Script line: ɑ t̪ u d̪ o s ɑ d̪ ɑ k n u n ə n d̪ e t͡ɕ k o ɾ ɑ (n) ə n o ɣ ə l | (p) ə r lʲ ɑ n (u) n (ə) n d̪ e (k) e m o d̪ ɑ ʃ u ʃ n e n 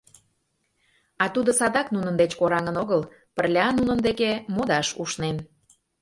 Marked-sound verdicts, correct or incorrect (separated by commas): incorrect, correct, correct, correct, correct